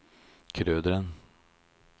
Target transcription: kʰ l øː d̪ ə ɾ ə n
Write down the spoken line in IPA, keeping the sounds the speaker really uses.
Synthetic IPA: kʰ ɾ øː d̪ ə ɾ ə n